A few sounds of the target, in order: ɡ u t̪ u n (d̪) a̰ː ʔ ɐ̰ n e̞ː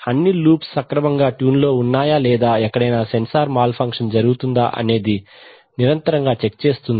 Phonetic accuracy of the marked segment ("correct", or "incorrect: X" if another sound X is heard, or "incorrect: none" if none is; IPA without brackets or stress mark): correct